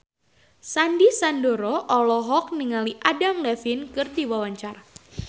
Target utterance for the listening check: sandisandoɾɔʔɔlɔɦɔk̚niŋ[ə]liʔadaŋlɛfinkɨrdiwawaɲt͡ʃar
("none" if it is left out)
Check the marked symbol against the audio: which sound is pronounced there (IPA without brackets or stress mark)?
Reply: a